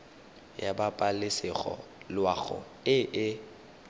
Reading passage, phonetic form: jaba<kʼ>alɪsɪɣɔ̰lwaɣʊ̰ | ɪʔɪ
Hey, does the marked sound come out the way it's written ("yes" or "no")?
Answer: no